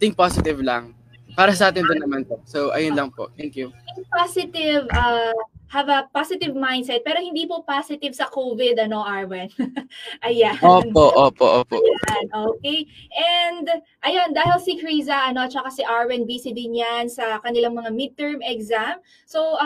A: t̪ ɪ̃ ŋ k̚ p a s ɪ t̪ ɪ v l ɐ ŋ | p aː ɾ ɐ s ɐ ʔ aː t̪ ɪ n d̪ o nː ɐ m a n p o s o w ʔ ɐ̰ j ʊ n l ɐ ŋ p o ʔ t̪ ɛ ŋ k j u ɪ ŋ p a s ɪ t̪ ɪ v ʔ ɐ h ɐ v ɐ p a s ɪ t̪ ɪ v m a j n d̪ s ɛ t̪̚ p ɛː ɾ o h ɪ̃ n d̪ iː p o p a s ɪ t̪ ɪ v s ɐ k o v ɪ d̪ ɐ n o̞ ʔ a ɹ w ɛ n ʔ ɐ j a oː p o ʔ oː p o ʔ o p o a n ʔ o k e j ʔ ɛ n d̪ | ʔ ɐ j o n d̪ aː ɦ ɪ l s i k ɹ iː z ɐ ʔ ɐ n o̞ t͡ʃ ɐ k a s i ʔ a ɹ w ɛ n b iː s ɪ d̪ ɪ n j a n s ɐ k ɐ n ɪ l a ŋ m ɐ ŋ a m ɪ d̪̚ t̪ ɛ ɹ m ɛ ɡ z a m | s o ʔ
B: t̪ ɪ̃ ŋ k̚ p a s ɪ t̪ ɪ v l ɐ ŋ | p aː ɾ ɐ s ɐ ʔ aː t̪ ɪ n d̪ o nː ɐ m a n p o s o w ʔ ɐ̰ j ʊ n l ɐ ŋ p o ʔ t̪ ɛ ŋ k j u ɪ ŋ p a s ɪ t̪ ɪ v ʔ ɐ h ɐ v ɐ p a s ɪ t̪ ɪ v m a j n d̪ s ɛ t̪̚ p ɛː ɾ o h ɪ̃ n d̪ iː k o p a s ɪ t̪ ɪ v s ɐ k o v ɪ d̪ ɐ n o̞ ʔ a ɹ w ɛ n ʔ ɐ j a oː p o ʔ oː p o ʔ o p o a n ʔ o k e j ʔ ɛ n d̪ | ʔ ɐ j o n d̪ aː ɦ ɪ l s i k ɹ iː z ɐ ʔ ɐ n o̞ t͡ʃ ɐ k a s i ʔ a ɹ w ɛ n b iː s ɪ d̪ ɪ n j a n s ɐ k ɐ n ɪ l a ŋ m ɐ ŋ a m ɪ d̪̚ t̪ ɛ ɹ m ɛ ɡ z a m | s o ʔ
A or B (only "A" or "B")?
A